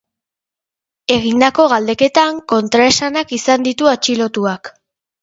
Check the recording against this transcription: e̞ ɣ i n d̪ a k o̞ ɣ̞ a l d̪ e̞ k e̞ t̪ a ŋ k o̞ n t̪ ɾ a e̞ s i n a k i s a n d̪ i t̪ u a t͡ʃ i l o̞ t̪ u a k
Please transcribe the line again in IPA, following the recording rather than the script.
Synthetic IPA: e̞ ɣ i n d̪ a k o̞ ɣ̞ a l d̪ e̞ k e̞ t̪ a ŋ k o̞ n t̪ ɾ a e̞ s a n a k i s a n d̪ i t̪ u a t͡ʃ i l o̞ t̪ u a k

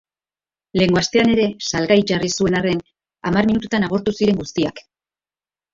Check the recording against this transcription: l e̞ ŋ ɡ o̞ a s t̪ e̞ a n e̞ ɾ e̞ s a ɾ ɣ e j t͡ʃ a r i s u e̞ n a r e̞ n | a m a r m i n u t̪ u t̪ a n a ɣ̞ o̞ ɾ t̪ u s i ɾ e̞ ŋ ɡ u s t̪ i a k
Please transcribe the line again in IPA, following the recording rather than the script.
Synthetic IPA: l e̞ ŋ ɡ o̞ a s t̪ e̞ a n e̞ ɾ e̞ s a l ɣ a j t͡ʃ a r i s u e̞ n a r e̞ n | a m a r m i n u t̪ u t̪ a n a ɣ̞ o̞ ɾ t̪ u s i ɾ e̞ ŋ ɡ u s t̪ i a k

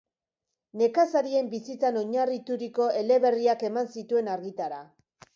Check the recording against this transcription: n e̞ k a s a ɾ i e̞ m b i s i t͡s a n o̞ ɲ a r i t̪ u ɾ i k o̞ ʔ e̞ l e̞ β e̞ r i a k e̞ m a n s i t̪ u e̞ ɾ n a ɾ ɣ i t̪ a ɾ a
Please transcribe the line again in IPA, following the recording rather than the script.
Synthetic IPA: n e̞ k a s a ɾ i e̞ m b i s i t͡s a n o̞ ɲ a r i t̪ u ɾ i k o̞ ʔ e̞ l e̞ β e̞ r i a k e̞ m a n s i t̪ u e̞ n a ɾ ɣ i t̪ a ɾ a

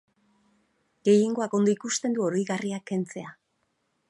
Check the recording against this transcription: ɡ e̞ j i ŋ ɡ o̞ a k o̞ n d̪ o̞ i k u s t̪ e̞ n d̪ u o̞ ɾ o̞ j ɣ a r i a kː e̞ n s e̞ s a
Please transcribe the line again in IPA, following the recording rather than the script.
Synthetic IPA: ɡ e̞ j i ŋ ɡ o̞ a k o̞ n d̪ o̞ i k u s t̪ e̞ n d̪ u o̞ ɾ o̞ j ɣ a r i a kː e̞ n t͡s e̞ a

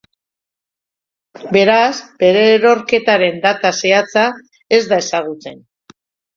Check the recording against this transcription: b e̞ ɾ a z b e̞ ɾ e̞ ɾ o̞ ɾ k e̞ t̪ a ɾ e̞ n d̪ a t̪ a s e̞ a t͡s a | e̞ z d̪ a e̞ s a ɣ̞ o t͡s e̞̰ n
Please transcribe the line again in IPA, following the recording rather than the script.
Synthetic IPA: b e̞ ɾ a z b e̞ ɾ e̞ ɾ o̞ ɾ k e̞ t̪ a ɾ e̞ n d̪ a t̪ a s e̞ a t͡s a | e̞ z d̪ a e̞ s a ɣ̞ u t͡s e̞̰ n

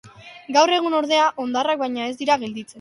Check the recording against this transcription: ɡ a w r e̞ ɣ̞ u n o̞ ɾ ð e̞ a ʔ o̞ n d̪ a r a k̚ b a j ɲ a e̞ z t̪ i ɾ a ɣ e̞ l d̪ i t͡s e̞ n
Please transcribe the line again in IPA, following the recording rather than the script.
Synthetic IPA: ɡ a w r e̞ ɣ̞ u n o̞ ɾ ð e̞ a ʔ o̞ n d̪ a r a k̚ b a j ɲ a e̞ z d̪ i ɾ a ɣ e̞ l d̪ i t͡s e̞ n

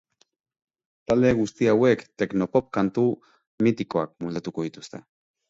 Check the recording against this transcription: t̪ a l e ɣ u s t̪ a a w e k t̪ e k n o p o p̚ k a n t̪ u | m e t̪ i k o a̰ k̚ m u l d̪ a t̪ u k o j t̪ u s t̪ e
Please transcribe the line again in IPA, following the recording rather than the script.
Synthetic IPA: t̪ a l e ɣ u s t̪ i a w e k t̪ e k n o p o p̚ k a n t̪ u | m i t̪ i k o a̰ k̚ m u l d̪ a t̪ u k o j t̪ u s t̪ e

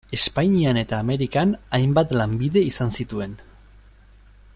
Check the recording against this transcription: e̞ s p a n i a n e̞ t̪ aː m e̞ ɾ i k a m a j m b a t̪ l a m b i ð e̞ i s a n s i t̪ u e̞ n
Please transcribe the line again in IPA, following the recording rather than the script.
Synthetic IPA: e̞ s p a ɲ i a n e̞ t̪ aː m e̞ ɾ i k a n a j m b a t̪ l a m b i ð e̞ i s a n s i t̪ u e̞ n

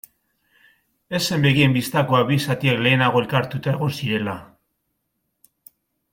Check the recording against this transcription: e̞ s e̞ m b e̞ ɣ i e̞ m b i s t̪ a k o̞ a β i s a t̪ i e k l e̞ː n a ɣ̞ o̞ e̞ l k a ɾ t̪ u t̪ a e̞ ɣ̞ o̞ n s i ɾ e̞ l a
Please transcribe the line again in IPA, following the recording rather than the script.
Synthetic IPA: e̞ s e̞ m b e̞ ɣ i e̞ m b i s t̪ a k o̞ a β i s a t̪ i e k l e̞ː n a ɣ̞ o̞ e̞ l k a ɾ t̪ u t̪ a e̞ ɣ̞ o̞ n s i ɾ e̞ l a

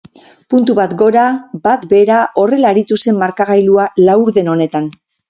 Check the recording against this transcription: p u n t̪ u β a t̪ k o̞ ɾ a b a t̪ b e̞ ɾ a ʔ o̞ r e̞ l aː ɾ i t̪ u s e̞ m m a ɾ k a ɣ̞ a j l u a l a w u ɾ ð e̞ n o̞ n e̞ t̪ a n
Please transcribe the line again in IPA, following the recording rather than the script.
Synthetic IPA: p u n t̪ u β a t̪ ɡ o̞ ɾ a b a t̪ b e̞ ɾ a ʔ o̞ r e̞ l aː ɾ i t̪ u s e̞ m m a ɾ k a ɣ̞ a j l u a l a w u ɾ ð e̞ n o̞ n e̞ t̪ a n

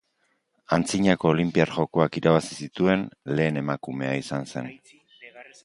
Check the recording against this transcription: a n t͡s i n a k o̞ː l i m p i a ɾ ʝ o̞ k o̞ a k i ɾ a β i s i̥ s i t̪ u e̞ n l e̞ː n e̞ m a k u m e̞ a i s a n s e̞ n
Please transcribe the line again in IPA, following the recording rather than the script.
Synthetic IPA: a n t͡s i ɲ a k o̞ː l i m p i a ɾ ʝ o̞ k o̞ a k i ɾ a β a s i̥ s i t̪ u e̞ n l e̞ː n e̞ m a k u m e̞ a i s a n s e̞ n

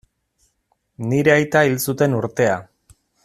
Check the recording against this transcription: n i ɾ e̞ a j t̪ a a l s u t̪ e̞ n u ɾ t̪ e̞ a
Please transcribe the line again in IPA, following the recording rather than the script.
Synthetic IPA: n i ɾ e̞ a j t̪ a i l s u t̪ e̞ n u ɾ t̪ e̞ a

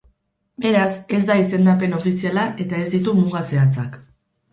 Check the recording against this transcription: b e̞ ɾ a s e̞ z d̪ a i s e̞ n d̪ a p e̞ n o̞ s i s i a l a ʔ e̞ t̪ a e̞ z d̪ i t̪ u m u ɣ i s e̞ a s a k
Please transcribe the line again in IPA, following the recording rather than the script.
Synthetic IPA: b e̞ ɾ a s e̞ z d̪ a i s e̞ n d̪ a p e̞ n o̞ f i s i a l a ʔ e̞ t̪ a e̞ z d̪ i t̪ u m u ɣ a s e̞ a t͡s a k

